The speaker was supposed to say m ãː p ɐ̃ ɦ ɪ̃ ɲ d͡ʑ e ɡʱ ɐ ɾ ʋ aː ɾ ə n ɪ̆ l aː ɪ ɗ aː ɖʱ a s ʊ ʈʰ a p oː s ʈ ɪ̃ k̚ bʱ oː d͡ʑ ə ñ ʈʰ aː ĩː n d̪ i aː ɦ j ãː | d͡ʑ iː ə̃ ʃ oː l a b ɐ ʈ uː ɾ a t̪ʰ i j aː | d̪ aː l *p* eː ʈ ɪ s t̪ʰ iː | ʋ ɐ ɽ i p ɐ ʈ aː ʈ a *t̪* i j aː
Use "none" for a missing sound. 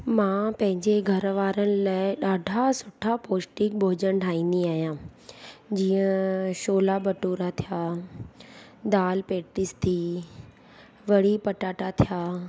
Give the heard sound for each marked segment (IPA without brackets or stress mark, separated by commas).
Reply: p, t̪ʰ